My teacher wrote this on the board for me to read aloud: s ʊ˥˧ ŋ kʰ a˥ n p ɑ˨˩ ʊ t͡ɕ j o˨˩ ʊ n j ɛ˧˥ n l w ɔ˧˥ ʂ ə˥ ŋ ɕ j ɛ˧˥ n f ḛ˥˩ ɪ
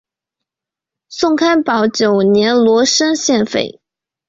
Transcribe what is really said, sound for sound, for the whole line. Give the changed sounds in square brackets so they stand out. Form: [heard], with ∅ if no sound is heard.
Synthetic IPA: s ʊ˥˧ ŋ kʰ a˥ n p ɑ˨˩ ʊ t͡ɕ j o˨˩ ʊ n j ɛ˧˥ n l w ɔ˧˥ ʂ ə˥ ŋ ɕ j [ɛ˥˧] n f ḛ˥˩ ɪ